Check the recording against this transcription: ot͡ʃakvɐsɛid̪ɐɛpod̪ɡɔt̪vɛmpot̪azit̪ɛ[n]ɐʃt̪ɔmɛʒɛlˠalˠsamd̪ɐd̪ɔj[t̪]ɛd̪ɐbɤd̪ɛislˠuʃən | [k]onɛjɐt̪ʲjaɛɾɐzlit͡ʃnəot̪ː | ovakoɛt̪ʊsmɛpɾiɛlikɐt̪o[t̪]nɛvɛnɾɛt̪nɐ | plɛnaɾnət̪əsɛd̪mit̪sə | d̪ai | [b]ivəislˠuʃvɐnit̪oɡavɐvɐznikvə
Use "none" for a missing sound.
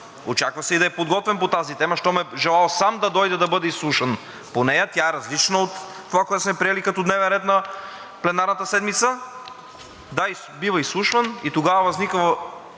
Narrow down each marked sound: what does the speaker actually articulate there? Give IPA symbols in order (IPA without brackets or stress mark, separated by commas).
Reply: m, d̪, p, d̪, b